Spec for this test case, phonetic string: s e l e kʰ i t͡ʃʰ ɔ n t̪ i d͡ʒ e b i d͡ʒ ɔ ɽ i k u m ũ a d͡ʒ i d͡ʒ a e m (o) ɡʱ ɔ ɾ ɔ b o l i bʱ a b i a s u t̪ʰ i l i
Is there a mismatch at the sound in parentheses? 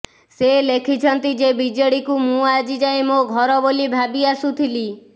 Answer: no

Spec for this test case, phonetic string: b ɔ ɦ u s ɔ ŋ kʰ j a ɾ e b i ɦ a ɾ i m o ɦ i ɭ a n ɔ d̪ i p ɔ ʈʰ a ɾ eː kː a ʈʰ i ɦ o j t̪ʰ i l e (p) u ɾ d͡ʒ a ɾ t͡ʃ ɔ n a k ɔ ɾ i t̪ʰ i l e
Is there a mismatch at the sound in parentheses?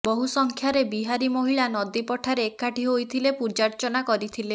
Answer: no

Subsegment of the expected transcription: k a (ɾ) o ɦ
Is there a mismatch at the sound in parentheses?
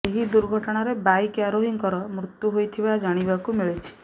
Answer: no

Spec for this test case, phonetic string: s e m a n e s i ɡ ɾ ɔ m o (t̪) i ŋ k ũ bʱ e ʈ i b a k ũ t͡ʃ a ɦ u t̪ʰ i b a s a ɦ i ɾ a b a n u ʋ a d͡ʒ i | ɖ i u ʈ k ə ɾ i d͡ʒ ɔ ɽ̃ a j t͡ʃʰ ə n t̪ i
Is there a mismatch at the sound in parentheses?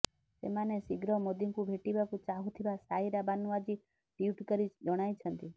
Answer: yes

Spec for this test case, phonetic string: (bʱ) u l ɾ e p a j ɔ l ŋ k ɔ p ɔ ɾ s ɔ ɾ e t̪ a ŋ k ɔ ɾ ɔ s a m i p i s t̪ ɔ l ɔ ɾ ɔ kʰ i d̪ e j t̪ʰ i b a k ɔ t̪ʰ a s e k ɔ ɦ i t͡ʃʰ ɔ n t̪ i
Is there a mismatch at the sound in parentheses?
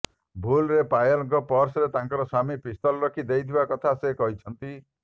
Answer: no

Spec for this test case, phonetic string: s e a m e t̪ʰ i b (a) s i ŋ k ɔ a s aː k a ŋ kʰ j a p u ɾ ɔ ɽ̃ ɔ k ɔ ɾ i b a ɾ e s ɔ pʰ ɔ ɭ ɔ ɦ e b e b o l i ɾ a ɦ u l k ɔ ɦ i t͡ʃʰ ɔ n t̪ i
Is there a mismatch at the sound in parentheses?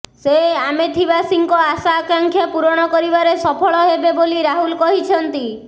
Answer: no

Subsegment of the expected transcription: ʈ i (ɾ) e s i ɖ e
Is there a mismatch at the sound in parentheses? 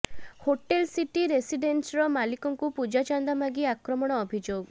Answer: no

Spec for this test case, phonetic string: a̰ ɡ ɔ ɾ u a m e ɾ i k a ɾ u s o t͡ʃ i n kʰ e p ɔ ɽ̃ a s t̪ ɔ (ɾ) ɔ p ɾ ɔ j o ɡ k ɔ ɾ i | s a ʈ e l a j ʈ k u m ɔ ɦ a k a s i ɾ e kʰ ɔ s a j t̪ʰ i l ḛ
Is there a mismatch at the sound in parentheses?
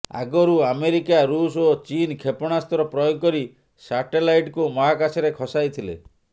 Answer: no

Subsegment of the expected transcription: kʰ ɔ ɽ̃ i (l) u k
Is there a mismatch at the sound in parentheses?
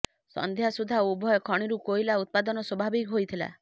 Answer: yes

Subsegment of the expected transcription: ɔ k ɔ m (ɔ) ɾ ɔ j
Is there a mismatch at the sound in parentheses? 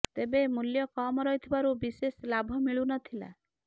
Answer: no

